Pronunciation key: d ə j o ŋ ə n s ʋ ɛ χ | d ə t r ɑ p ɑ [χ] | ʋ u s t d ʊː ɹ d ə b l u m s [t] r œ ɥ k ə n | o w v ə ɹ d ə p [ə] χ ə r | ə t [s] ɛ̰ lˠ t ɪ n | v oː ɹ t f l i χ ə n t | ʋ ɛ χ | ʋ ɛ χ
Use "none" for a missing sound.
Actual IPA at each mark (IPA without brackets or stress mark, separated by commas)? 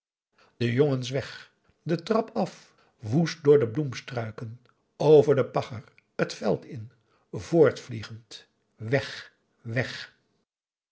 f, t, ɑ, f